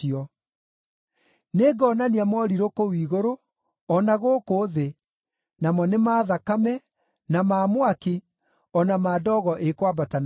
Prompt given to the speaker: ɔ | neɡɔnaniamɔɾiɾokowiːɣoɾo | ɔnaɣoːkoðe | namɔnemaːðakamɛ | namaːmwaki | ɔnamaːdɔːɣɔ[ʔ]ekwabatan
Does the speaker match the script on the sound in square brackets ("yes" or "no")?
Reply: yes